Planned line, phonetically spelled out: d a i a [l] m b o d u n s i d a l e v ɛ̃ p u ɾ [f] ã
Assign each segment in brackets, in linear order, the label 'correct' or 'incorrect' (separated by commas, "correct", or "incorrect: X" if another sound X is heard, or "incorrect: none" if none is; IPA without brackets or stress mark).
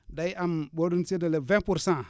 incorrect: none, incorrect: s